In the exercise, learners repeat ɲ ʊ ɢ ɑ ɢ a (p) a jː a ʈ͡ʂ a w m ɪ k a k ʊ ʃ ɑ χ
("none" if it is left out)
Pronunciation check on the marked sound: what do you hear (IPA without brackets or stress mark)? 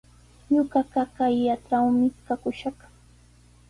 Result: k